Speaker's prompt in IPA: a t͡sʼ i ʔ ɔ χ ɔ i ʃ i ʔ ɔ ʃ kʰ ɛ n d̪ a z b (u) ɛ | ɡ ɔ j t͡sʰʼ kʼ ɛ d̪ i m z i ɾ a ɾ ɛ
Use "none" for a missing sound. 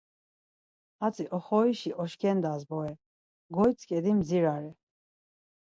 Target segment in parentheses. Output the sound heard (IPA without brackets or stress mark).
ɔ